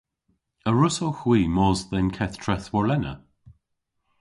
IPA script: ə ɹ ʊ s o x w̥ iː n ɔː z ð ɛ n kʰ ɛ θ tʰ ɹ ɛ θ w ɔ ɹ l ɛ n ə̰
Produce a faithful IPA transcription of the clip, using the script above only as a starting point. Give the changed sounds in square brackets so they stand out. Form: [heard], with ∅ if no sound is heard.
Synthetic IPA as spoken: ə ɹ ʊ s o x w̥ iː [m] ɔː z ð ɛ n kʰ ɛ θ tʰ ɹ ɛ θ w ɔ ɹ l ɛ n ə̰